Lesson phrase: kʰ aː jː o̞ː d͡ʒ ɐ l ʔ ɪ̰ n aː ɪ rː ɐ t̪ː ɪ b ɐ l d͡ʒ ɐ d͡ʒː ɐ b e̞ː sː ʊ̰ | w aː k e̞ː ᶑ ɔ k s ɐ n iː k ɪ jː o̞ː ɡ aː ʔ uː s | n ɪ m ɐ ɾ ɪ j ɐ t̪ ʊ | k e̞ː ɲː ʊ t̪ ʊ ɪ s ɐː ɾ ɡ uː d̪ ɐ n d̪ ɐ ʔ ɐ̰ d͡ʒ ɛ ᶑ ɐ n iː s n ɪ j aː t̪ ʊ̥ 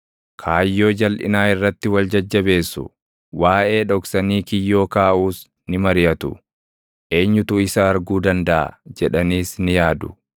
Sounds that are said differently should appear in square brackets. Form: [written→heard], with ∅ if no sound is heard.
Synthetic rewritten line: kʰ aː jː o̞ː d͡ʒ ɐ l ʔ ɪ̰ n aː ɪ rː ɐ t̪ː ɪ [b→w] ɐ l d͡ʒ ɐ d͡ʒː ɐ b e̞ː sː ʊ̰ | w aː [k→ʔ] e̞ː ᶑ ɔ k s ɐ n iː k ɪ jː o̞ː [ɡ→k] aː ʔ uː s | n ɪ m ɐ ɾ ɪ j ɐ t̪ ʊ | [k→ʔ] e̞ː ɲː ʊ t̪ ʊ ɪ s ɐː ɾ ɡ uː d̪ ɐ n d̪ ɐ ʔ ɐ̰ d͡ʒ ɛ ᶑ ɐ n iː s n ɪ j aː [t̪→d̪] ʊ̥